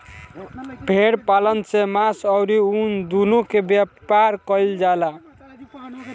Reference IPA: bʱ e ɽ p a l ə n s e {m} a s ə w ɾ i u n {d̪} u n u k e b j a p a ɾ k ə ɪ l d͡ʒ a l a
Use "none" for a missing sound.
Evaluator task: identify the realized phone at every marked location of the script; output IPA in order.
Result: m, d̪

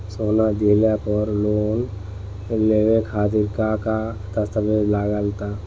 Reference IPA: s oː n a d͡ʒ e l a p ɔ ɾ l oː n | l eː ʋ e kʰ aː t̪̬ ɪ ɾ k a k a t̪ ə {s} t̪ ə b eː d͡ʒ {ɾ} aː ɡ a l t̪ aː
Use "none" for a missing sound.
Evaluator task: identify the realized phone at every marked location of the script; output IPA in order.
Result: s, l

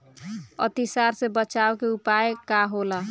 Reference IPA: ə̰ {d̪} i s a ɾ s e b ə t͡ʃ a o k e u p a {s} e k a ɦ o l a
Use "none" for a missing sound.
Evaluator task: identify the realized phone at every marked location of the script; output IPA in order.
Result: t̪, none

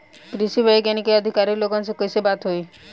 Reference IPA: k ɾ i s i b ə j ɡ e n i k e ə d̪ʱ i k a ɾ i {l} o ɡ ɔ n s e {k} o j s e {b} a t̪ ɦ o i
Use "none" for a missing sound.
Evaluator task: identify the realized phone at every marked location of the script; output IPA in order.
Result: l, k, b

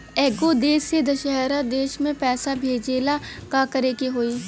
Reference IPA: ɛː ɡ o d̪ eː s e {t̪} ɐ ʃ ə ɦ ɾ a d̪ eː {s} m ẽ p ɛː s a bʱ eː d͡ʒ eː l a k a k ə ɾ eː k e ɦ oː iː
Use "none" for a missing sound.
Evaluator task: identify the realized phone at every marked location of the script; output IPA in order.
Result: d̪, ʃ

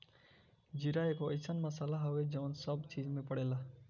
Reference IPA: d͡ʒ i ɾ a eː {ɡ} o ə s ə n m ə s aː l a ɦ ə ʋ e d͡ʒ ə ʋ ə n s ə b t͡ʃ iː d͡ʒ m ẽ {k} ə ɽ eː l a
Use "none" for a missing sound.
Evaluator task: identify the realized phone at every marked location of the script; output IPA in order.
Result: k, p

